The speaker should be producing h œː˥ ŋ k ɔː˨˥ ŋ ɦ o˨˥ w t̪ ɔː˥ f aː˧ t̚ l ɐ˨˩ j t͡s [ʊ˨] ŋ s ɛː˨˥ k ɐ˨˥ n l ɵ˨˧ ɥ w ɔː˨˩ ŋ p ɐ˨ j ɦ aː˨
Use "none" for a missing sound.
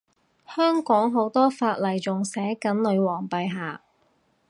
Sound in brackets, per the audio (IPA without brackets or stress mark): ʊ˨